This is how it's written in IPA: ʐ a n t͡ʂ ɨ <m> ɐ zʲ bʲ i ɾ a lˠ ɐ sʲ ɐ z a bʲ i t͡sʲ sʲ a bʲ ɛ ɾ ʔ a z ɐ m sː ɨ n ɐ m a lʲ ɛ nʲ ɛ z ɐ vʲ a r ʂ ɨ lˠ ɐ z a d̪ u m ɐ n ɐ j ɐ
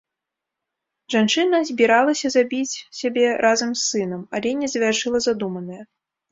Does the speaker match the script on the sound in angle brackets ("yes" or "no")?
no